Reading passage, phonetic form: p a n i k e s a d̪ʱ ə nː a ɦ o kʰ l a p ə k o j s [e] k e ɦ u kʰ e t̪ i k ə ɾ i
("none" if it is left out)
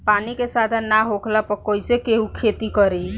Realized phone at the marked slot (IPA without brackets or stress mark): e